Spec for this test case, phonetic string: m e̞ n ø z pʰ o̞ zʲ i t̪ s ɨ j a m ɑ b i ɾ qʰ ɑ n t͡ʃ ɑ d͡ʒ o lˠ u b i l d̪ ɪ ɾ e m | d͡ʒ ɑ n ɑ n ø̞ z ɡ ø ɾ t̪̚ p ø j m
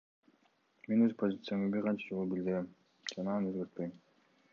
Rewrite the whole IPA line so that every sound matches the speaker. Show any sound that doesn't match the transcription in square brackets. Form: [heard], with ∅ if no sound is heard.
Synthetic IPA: m e̞ n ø z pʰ o̞ zʲ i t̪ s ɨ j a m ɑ b i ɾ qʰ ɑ n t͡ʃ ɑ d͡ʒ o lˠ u b i l d̪ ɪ ɾ e m | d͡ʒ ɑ n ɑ n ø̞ z ɡ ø ɾ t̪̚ p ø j m